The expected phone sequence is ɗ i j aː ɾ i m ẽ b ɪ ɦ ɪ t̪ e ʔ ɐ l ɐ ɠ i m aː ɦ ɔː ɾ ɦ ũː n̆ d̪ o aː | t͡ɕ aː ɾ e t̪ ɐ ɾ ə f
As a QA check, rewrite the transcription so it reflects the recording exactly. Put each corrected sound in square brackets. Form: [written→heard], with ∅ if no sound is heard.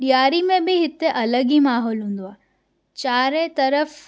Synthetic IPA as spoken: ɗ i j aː ɾ i m ẽ b ɪ ɦ ɪ t̪ e ʔ ɐ l [ɐ→ə] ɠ i m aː ɦ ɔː [ɾ→l] ɦ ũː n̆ d̪ o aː | t͡ɕ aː ɾ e t̪ ɐ ɾ ə f